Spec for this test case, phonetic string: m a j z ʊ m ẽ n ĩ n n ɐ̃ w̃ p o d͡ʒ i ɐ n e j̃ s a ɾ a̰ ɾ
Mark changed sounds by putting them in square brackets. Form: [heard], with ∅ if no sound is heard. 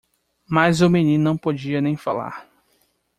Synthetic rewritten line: m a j z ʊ m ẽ n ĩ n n ɐ̃ w̃ p o d͡ʒ i ɐ n [ẽ] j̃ [f] a [l] a̰ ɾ